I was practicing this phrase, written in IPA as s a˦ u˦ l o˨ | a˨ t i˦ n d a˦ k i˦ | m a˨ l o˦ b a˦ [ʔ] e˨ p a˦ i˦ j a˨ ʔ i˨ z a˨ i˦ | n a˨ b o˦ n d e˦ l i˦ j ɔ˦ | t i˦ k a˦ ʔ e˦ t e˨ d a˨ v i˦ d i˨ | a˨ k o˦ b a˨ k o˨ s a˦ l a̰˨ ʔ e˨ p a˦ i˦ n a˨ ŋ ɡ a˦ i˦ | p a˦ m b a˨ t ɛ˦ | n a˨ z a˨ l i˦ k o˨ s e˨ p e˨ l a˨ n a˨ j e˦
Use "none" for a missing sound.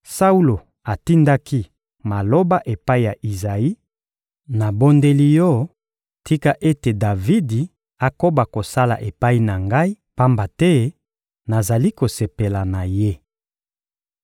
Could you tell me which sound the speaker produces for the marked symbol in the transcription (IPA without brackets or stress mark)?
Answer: ʔ